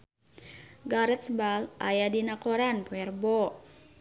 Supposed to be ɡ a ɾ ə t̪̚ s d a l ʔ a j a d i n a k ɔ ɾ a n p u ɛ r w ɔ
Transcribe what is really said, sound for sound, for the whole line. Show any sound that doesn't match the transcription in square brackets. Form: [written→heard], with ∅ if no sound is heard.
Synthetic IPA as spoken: ɡ a ɾ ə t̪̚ s [d→b] a l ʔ a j a d i n a k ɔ ɾ a n p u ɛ r [w→b] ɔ